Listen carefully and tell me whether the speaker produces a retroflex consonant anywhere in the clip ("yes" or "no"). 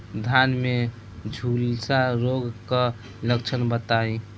no